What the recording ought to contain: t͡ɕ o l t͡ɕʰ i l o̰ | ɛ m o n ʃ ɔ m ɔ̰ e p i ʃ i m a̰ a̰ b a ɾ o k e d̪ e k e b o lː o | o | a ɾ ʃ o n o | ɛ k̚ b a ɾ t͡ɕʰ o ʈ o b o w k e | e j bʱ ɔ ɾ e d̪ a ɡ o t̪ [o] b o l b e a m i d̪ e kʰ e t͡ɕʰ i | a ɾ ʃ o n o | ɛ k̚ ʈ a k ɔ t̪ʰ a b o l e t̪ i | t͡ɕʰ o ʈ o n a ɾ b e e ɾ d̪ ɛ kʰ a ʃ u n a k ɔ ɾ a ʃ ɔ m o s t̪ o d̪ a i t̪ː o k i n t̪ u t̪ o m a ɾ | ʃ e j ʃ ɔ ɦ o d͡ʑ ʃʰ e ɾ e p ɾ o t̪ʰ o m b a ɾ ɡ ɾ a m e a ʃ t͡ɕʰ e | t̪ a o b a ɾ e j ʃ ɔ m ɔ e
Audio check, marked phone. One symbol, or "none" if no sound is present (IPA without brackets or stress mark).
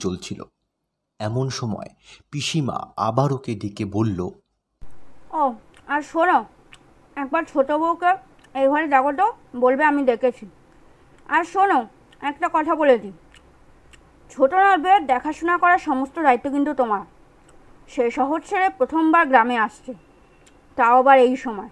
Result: o